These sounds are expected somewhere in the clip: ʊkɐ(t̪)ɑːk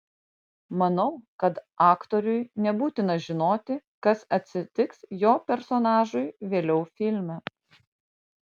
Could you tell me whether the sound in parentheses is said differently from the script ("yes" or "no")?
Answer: no